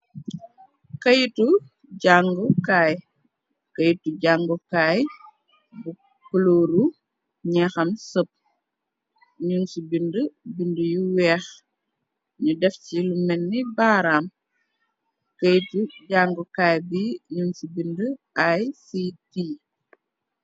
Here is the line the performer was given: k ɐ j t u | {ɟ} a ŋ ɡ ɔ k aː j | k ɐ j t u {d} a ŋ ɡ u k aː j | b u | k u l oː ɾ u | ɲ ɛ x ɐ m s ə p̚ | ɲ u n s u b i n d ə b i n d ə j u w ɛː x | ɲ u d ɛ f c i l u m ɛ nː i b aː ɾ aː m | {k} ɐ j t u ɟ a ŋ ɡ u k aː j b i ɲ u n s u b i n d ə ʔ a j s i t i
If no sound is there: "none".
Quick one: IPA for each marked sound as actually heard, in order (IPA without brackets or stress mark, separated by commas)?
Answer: ɟ, ɟ, k